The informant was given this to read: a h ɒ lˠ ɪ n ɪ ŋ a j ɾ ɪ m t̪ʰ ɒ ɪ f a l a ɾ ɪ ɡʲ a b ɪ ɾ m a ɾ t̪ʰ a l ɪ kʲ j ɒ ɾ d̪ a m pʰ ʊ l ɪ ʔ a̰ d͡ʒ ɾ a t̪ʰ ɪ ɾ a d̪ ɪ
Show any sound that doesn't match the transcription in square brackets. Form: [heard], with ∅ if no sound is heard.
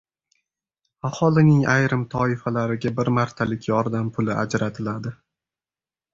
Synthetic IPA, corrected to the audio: a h ɒ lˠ ɪ n ɪ ŋ a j ɾ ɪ m t̪ʰ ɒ ɪ f a l a ɾ ɪ ɡʲ a b ɪ ɾ m a ɾ t̪ʰ a l ɪ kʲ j ɒ ɾ d̪ a m pʰ ʊ l ɪ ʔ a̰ d͡ʒ ɾ a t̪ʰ ɪ [l] a d̪ ɪ